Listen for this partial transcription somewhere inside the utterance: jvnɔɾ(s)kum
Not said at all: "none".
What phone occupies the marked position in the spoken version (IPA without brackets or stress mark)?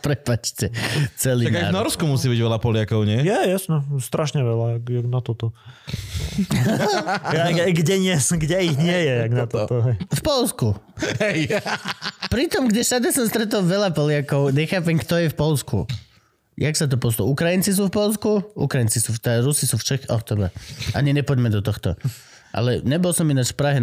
s